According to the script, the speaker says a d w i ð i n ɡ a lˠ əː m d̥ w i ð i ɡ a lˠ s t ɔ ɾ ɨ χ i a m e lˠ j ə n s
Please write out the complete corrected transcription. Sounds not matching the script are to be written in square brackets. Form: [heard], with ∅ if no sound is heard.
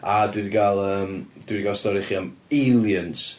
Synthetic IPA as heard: a d w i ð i [∅] ɡ a lˠ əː m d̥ w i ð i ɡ a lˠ s t ɔ ɾ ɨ χ i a m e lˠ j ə n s

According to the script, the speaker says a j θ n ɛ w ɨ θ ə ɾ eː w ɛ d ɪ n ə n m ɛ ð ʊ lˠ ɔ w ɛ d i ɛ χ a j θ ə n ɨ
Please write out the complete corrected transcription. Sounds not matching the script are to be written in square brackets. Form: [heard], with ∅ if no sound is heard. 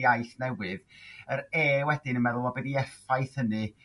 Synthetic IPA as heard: a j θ n ɛ w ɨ [ð] ə ɾ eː w ɛ d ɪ n ə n m ɛ ð ʊ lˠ ɔ [b] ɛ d i ɛ [f] a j θ ə n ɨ

